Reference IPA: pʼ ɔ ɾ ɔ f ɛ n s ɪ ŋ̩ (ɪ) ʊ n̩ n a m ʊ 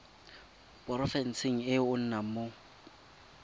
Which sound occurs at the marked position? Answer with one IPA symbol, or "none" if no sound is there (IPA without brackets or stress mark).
ɪ